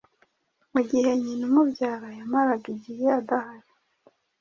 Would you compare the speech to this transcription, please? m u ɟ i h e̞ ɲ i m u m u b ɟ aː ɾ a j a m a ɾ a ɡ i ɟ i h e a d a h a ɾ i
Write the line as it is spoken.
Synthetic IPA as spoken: m u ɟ i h e̞ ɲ i n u m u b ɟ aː ɾ a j a m a ɾ a ɡ i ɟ i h e a d a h a ɾ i